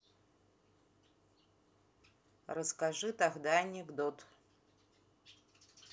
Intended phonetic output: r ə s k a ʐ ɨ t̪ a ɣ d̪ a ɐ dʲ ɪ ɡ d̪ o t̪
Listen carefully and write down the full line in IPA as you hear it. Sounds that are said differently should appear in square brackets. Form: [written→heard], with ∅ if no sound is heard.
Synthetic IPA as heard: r ə s k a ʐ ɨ t̪ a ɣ d̪ a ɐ [dʲ→nʲ] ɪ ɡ d̪ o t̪